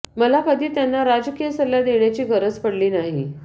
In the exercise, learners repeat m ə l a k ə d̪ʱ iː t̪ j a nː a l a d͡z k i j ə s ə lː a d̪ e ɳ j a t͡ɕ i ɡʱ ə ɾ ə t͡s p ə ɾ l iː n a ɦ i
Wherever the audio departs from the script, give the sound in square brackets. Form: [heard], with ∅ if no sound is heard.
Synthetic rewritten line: m ə l a k ə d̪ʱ iː t̪ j a nː a [ɾ] a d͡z k i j ə s ə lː a d̪ e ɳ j a t͡ɕ [iː] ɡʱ ə ɾ ə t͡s p ə [ɽ] l iː n a ɦ i